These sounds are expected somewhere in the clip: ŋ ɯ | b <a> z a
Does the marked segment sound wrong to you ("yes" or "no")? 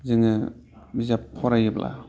yes